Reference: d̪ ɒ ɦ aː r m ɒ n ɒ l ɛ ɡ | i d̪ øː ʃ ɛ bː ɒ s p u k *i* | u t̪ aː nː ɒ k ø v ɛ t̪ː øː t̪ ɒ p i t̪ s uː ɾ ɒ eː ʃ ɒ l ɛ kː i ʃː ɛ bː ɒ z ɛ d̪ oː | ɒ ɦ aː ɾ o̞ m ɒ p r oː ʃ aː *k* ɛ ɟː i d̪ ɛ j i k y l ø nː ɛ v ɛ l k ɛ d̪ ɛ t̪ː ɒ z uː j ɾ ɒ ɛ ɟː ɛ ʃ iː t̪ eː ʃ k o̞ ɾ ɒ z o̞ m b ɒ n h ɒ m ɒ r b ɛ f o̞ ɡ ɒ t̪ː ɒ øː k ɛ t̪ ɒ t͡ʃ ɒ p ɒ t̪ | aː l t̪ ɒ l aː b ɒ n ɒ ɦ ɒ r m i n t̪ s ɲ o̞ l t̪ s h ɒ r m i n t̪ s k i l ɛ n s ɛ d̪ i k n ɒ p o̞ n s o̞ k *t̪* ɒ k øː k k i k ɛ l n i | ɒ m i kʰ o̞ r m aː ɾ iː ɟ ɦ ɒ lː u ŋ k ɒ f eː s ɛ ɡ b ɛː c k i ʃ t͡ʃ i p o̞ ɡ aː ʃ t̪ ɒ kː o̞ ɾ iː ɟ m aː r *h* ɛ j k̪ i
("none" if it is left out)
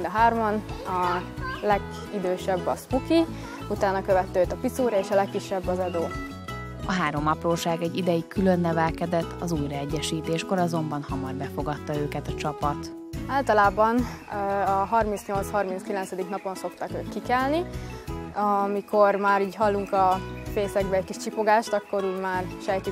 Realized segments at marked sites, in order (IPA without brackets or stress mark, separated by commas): i, ɡ, t̪, ʃ